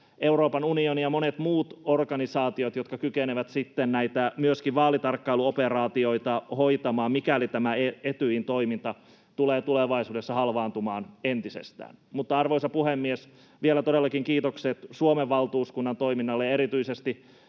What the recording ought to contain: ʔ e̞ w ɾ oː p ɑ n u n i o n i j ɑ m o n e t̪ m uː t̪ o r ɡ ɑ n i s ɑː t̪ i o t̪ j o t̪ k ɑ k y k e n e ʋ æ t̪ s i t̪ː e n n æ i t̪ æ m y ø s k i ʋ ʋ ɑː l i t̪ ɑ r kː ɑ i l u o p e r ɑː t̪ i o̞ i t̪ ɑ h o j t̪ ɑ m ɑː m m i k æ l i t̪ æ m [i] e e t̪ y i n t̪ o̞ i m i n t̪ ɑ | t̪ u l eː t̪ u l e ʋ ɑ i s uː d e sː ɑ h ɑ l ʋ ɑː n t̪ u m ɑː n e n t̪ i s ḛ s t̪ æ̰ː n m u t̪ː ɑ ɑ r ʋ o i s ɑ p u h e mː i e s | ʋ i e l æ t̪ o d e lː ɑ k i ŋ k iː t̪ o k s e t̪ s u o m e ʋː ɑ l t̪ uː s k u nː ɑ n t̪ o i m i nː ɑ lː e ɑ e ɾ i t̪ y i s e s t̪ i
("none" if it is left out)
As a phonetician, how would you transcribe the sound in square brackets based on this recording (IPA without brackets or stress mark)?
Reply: æ